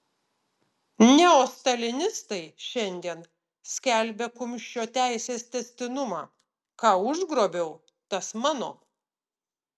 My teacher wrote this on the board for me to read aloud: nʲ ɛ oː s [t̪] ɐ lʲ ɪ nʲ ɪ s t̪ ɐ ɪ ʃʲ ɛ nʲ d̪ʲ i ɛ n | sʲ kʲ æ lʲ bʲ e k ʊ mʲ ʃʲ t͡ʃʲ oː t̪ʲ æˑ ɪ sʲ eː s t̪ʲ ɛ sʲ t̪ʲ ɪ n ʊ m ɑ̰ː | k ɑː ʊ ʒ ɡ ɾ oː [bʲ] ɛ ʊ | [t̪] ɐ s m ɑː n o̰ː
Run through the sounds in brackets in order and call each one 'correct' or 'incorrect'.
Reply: correct, correct, correct

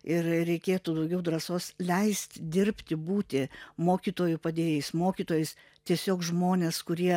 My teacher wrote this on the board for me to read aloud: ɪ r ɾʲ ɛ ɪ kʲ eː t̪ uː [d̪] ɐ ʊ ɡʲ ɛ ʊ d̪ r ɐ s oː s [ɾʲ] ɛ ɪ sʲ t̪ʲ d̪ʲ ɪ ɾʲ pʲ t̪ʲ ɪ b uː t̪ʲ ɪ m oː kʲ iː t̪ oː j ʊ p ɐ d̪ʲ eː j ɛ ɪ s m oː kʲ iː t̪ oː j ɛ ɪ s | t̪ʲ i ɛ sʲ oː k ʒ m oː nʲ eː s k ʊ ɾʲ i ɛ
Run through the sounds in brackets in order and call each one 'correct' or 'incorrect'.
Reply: correct, incorrect: lʲ

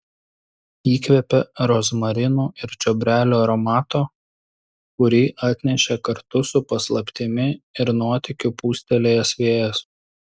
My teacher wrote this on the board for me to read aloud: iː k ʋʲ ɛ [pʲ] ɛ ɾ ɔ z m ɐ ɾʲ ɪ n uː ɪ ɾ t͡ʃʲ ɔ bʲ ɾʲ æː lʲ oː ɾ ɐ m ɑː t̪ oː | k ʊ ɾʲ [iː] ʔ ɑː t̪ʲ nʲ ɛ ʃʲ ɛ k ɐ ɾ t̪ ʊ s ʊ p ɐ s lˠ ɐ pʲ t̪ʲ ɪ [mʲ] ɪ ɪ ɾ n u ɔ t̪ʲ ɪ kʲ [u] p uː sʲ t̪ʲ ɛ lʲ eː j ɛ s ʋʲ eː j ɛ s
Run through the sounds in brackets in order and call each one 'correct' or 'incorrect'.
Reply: correct, correct, correct, incorrect: ʊ

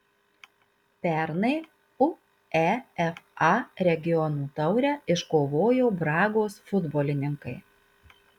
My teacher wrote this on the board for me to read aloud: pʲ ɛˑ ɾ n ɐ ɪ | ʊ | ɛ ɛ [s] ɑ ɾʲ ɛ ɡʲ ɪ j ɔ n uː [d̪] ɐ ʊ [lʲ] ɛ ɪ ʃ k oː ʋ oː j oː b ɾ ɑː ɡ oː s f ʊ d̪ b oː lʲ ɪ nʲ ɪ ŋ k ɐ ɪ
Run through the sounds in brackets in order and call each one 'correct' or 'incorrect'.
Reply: incorrect: f, incorrect: t̪, incorrect: ɾʲ

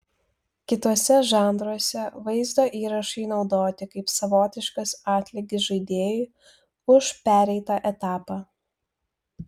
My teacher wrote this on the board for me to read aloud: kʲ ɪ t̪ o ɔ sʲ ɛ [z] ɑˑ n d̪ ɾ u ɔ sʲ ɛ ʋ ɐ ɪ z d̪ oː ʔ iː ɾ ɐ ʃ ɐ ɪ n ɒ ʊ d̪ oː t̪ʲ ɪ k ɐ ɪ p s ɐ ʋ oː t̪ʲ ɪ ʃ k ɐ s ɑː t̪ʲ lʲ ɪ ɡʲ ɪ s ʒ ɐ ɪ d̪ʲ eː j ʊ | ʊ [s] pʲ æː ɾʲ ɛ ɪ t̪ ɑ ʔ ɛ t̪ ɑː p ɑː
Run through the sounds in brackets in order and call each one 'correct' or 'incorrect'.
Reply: incorrect: ʒ, incorrect: ʃ

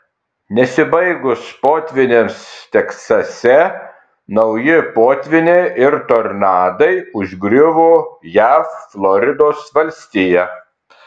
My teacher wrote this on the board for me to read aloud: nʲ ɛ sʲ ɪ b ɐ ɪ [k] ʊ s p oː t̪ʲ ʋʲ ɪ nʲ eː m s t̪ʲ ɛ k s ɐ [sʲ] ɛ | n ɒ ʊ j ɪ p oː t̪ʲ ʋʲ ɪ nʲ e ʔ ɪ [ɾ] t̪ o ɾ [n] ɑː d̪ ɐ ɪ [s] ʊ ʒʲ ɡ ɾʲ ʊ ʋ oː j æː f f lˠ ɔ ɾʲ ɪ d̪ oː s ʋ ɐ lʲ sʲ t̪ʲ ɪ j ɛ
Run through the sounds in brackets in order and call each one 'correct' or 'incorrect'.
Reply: incorrect: ɡ, correct, correct, correct, incorrect: none

